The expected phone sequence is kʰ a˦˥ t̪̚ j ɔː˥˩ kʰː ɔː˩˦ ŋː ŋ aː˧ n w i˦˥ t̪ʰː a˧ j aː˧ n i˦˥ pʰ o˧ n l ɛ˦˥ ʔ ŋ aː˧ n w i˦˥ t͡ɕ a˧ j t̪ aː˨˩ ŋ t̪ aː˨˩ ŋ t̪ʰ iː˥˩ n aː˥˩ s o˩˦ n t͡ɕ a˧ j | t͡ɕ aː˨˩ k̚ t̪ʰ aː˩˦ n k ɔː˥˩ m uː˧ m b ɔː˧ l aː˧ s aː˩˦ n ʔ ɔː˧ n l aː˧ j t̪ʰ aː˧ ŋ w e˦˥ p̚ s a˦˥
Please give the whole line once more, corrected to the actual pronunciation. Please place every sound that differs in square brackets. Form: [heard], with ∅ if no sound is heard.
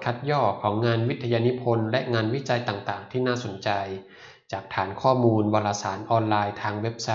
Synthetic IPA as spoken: kʰ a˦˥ t̪̚ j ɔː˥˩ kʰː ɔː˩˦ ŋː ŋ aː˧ n w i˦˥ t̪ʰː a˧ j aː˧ n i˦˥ pʰ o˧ n l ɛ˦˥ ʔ ŋ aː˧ n w i˦˥ t͡ɕ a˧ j t̪ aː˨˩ ŋ t̪ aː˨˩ ŋ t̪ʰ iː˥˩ n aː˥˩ s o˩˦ n t͡ɕ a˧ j | t͡ɕ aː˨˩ k̚ t̪ʰ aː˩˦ n [kʰ] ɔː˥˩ m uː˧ [n] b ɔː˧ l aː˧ s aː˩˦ n ʔ ɔː˧ n l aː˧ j t̪ʰ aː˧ ŋ w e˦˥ p̚ s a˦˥